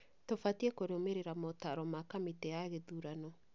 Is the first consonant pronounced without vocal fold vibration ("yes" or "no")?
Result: yes